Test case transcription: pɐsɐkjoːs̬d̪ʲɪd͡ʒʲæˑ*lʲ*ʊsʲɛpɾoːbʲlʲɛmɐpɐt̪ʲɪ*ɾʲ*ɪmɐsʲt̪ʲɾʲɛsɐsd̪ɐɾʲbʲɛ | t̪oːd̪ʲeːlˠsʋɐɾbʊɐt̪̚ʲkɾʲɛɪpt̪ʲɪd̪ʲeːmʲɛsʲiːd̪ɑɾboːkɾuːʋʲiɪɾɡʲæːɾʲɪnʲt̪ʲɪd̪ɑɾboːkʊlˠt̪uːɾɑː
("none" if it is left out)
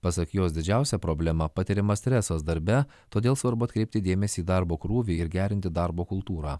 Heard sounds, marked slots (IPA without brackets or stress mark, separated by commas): none, ɾʲ